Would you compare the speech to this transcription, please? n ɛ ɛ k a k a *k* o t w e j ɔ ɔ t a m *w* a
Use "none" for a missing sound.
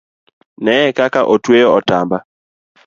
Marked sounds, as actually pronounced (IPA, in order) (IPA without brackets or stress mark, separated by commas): ʔ, b